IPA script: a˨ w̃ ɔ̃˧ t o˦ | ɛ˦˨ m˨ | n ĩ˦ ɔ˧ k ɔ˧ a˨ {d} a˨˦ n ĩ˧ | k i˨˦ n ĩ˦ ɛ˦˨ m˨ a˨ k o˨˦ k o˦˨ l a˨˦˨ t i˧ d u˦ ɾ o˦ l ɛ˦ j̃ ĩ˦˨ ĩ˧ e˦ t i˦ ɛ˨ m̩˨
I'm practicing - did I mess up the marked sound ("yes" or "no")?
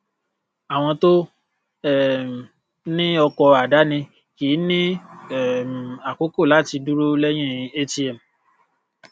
no